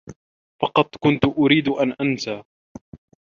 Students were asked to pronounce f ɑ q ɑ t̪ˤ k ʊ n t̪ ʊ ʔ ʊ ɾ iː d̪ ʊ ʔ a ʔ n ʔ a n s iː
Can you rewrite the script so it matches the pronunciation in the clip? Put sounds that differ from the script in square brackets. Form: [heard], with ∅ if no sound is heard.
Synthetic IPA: f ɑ q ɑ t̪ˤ k ʊ n t̪ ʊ ʔ ʊ ɾ iː d̪ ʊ ʔ a [∅] n ʔ a n s [aː]